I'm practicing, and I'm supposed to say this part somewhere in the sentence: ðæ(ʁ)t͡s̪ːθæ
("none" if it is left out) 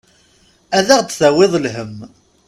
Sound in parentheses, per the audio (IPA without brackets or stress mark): ʁ